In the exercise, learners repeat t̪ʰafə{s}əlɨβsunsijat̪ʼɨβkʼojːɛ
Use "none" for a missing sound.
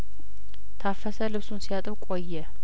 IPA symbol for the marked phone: s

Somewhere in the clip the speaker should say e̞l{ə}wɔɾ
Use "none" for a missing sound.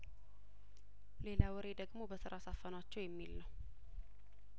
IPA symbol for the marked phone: a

